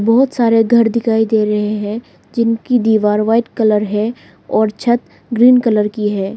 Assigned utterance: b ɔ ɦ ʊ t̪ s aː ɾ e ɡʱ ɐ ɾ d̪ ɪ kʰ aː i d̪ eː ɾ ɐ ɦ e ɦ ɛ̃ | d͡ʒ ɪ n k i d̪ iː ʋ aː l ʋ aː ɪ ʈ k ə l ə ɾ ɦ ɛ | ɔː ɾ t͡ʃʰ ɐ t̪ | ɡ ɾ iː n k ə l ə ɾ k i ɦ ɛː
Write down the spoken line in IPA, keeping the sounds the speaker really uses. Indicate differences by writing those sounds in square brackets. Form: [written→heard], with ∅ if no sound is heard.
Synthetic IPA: b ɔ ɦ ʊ t̪ s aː ɾ e ɡʱ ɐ ɾ d̪ ɪ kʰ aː i d̪ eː ɾ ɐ ɦ e ɦ ɛ̃ | d͡ʒ ɪ n k i d̪ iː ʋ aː [l→ɾ] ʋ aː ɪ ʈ k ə l ə ɾ ɦ ɛ | ɔː ɾ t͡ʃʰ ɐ t̪ | ɡ ɾ iː n k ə l ə ɾ k i ɦ ɛː